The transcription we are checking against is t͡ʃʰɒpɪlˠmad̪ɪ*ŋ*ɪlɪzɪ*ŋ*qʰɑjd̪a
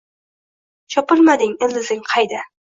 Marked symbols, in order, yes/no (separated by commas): yes, yes